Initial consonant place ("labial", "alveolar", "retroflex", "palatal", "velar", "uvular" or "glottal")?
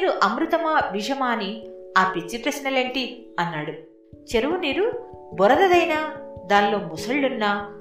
alveolar